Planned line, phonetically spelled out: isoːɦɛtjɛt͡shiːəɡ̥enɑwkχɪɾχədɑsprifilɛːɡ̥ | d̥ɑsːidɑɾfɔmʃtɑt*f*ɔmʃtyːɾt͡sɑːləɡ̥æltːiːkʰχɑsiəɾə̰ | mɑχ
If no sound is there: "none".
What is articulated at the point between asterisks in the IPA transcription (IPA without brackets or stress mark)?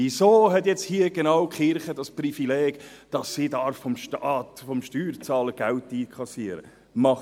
f